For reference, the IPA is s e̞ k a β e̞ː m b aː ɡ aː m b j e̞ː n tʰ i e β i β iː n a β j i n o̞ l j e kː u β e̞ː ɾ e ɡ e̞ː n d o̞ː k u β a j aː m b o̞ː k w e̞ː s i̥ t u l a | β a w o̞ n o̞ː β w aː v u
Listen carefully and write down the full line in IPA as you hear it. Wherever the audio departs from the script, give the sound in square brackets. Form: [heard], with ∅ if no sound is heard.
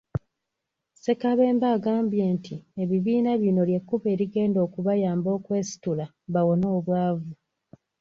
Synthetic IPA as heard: s e̞ k a β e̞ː m b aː ɡ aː m b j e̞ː n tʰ i e β i β iː n a β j i n o̞ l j e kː u β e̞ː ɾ [i] ɡ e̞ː n d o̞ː k u β a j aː m b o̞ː k w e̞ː s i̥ t u l a | β a w o̞ n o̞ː β w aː v u